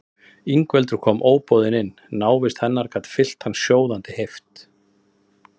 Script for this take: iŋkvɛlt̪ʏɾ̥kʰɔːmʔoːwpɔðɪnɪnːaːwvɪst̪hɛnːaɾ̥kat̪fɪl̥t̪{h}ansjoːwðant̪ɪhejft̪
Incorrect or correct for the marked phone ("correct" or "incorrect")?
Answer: correct